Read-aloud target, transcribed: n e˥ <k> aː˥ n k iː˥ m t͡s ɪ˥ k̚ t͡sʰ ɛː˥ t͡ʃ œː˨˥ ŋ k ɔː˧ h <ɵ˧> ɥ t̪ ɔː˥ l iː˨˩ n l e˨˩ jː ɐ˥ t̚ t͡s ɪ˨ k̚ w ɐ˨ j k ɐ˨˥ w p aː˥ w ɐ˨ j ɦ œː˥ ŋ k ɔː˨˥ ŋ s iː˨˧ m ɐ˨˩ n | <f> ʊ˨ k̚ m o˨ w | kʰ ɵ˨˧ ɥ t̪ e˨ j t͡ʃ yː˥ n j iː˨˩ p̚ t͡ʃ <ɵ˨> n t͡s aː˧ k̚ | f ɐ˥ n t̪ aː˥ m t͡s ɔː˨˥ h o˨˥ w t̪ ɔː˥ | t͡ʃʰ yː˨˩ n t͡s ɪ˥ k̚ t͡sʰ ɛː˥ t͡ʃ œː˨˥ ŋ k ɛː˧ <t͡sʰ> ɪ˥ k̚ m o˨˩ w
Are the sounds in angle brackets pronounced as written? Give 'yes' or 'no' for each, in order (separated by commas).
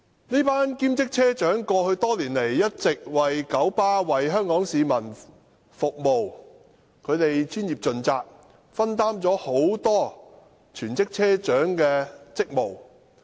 no, yes, yes, yes, no